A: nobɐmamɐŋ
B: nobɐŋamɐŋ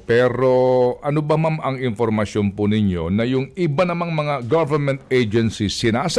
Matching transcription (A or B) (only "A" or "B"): A